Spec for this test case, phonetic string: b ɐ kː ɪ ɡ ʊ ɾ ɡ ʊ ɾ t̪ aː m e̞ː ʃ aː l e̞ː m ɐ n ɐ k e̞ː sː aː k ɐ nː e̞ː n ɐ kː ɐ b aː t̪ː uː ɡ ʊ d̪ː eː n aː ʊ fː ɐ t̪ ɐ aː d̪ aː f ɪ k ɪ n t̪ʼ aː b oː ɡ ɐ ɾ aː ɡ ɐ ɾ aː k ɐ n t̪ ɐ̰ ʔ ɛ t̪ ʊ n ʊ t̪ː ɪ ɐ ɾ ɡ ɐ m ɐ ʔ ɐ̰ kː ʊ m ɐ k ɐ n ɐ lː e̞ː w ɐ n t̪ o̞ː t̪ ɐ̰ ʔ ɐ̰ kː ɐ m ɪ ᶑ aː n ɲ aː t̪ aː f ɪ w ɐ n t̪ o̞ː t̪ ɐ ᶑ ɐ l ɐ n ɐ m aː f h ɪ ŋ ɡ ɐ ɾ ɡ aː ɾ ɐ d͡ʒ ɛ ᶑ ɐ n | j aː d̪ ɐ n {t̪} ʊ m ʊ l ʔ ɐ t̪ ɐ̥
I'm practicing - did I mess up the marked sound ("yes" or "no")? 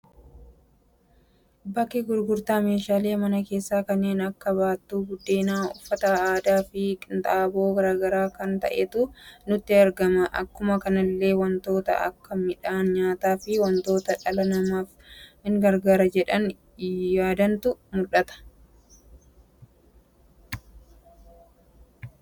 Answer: no